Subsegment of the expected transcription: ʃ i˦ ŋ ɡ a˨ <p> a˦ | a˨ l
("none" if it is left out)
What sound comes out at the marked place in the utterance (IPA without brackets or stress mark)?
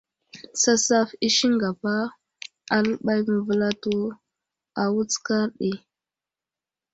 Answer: p